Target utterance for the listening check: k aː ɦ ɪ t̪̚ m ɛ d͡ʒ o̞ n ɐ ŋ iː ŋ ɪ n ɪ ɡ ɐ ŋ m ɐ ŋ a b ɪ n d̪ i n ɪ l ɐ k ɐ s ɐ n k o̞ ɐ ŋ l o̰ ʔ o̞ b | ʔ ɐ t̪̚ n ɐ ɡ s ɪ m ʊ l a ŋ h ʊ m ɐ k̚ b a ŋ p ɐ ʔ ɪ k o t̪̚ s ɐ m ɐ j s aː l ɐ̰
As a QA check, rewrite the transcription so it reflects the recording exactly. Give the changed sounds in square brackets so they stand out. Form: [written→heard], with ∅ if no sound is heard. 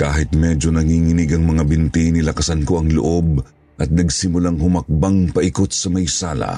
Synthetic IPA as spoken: k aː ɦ ɪ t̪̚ m ɛ d͡ʒ o̞ n ɐ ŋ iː ŋ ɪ n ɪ ɡ ɐ ŋ m ɐ ŋ a b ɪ n [d̪→t̪] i n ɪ l ɐ k ɐ s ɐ n k o̞ ɐ ŋ l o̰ ʔ o̞ b | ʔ ɐ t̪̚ n ɐ ɡ s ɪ m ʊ l a ŋ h ʊ m ɐ k̚ b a ŋ p ɐ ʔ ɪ k o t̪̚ s ɐ m ɐ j s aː l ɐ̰